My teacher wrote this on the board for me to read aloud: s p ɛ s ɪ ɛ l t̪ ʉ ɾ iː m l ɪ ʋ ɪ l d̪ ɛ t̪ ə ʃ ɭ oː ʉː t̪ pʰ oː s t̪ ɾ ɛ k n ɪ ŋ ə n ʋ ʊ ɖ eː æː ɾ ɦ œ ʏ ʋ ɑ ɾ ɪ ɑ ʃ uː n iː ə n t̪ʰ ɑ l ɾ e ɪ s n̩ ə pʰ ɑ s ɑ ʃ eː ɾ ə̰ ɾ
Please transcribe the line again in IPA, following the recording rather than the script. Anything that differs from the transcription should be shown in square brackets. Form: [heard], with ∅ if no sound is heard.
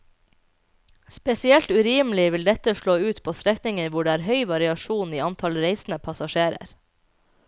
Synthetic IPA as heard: s p ɛ s ɪ ɛ l t̪ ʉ ɾ iː m l ɪ ʋ ɪ l d̪ ɛ t̪ ə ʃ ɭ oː ʉː t̪ pʰ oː s t̪ ɾ ɛ k n ɪ ŋ ə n ʋ ʊ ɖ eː æː ɾ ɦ œ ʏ ʋ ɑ ɾ ɪ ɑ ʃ uː n iː [ɑ] n t̪ʰ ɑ l ɾ e ɪ s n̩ ə pʰ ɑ s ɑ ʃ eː ɾ ə̰ ɾ